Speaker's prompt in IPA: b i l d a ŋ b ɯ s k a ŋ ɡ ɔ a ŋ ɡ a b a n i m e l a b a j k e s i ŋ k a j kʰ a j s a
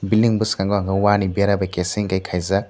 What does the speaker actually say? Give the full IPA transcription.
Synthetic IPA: b i l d i ŋ b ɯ s k a ŋ ɡ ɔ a ŋ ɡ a w a n i b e ɾ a b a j k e s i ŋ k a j kʰ a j z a